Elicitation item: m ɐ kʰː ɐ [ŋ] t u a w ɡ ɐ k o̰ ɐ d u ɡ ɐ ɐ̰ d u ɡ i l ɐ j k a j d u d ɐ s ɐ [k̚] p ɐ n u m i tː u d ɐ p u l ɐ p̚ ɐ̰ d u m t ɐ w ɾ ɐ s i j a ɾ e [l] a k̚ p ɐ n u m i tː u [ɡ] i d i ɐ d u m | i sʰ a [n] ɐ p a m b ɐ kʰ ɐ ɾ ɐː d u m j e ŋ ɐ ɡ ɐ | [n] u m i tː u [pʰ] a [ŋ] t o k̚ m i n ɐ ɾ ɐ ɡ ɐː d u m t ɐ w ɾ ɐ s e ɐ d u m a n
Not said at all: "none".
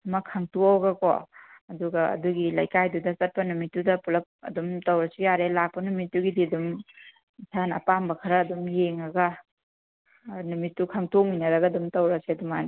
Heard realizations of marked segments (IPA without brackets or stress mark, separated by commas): ŋ, t̚, l, ɡ, n, n, kʰ, ŋ